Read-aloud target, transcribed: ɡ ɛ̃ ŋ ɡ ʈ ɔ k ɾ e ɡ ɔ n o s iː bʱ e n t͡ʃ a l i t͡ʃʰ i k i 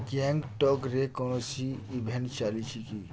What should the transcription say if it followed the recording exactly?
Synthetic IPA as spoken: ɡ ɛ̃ ŋ ɡ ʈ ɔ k ɾ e k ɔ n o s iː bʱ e n t͡ʃ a l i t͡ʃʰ i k i